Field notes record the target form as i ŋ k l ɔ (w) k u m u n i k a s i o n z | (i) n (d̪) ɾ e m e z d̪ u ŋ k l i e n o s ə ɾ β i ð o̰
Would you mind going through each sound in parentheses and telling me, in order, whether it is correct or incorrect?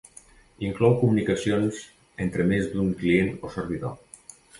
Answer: correct, incorrect: e, incorrect: t̪

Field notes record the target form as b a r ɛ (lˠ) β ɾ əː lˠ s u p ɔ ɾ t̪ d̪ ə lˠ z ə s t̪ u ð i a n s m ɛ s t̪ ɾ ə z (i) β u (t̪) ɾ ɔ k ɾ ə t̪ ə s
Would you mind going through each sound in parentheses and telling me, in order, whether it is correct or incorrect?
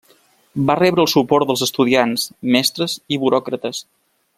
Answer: incorrect: none, correct, incorrect: none

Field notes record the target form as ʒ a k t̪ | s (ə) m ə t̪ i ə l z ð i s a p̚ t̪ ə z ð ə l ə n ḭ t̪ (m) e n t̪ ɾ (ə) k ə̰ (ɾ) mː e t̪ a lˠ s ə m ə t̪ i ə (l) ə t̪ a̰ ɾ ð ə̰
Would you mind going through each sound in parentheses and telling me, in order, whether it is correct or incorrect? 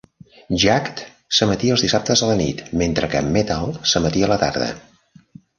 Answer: correct, correct, correct, incorrect: none, correct

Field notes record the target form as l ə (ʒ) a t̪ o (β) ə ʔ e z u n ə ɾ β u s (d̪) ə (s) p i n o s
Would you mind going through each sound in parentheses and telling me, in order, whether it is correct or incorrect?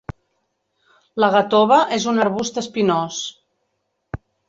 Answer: incorrect: ɣ, correct, incorrect: t̪, correct

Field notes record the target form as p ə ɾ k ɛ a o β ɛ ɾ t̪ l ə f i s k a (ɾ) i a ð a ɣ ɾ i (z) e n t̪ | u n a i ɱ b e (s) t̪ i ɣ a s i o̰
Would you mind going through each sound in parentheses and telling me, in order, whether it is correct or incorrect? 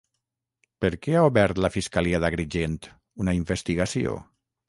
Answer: incorrect: l, incorrect: ʒ, correct

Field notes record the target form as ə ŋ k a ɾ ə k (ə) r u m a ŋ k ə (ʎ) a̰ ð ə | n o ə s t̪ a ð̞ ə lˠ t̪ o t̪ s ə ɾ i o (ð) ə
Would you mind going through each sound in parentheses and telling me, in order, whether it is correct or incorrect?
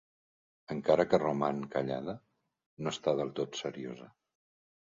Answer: correct, correct, incorrect: z

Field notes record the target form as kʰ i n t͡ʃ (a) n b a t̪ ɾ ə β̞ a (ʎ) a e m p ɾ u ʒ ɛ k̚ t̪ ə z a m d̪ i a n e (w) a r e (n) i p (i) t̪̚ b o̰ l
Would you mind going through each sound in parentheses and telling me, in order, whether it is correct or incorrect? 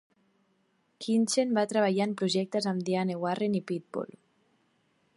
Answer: incorrect: e, correct, correct, correct, correct

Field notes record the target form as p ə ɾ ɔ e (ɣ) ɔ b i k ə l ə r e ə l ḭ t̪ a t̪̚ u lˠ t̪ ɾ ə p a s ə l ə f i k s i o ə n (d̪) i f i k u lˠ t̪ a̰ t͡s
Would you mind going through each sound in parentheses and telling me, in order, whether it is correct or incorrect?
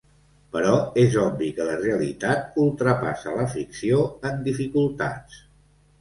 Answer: incorrect: z, correct

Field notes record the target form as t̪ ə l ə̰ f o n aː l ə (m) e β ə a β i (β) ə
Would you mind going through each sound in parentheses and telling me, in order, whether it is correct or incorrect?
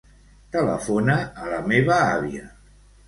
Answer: correct, incorrect: none

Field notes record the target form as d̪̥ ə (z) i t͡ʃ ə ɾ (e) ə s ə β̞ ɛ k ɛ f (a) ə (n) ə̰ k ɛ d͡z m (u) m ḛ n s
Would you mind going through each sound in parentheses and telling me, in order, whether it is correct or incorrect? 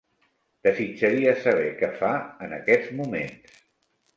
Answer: correct, incorrect: i, correct, correct, correct

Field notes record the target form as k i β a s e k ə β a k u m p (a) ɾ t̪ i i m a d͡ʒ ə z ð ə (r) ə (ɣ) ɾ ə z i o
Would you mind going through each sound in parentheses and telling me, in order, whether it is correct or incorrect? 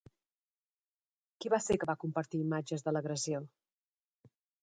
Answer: incorrect: ə, incorrect: l, correct

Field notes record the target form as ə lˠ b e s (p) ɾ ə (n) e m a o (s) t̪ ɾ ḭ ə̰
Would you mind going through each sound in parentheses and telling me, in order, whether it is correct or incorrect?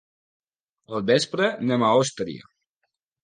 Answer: correct, correct, correct

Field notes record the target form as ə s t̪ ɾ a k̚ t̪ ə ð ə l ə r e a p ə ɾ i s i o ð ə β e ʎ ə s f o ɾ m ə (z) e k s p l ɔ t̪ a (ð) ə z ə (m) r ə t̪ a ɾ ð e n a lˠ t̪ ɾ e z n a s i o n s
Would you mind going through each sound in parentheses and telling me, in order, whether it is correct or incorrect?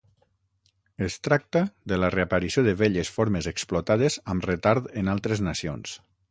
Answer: correct, correct, correct

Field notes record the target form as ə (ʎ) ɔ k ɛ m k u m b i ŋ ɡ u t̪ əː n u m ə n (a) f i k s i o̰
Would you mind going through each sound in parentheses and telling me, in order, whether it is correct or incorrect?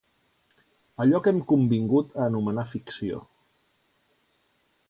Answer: correct, correct

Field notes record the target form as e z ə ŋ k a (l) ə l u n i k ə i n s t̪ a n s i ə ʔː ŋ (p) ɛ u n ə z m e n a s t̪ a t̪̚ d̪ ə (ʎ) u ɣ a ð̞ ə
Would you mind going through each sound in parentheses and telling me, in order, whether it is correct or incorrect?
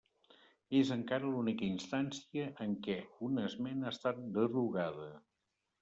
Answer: incorrect: ɾ, incorrect: k, incorrect: r

